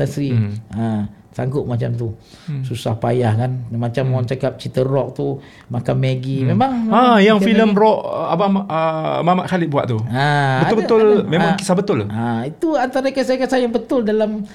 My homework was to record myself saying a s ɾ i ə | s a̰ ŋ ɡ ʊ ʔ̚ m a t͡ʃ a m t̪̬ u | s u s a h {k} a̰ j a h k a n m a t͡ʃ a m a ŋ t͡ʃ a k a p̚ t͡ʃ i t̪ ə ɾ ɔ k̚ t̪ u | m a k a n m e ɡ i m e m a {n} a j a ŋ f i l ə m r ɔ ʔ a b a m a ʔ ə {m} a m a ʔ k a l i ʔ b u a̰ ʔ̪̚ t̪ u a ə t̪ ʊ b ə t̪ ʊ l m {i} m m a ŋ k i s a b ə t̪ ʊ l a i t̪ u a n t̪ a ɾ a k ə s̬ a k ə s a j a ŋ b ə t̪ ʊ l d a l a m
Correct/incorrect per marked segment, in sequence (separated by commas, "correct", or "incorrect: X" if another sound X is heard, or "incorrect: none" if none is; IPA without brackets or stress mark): incorrect: p, incorrect: ŋ, correct, incorrect: e